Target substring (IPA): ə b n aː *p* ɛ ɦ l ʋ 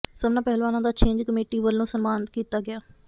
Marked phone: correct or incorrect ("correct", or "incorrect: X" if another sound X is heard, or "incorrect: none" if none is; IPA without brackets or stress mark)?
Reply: correct